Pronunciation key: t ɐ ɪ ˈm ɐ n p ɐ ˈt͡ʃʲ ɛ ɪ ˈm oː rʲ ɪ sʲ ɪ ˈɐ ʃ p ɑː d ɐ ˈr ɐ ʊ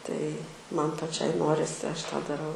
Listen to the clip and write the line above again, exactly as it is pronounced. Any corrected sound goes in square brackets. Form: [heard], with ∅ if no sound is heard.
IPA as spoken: t ɐ ɪ ˈm ɐ n p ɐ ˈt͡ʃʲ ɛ ɪ [ˈn] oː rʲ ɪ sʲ ɪ ˈɐ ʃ [t] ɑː d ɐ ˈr ɐ ʊ